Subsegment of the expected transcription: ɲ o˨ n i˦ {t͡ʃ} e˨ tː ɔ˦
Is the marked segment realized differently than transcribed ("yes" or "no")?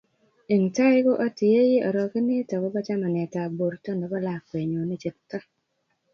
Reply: no